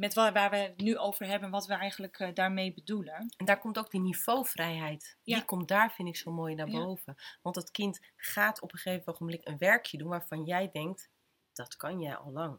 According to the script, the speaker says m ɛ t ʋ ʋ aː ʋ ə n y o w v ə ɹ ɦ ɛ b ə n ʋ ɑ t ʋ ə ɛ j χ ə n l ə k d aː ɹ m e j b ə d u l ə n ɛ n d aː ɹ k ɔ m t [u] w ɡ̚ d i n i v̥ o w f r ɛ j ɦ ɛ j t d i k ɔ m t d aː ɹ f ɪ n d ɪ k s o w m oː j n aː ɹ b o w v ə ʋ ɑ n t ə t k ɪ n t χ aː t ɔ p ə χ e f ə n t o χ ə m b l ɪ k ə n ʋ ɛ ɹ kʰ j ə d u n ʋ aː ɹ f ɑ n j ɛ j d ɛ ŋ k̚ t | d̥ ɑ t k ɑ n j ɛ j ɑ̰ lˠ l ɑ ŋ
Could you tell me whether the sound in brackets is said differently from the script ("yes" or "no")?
yes